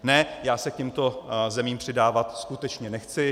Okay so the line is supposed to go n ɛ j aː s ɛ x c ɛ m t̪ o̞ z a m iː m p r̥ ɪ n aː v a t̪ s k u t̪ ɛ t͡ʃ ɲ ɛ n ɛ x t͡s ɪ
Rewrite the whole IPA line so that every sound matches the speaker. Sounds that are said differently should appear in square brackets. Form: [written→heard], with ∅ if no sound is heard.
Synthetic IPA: n ɛ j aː s ɛ [x→k] c ɛ m t̪ o̞ z [a→ɛ] m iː m p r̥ ɪ [n→d] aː v a t̪ s k u t̪ ɛ t͡ʃ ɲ ɛ n ɛ x t͡s ɪ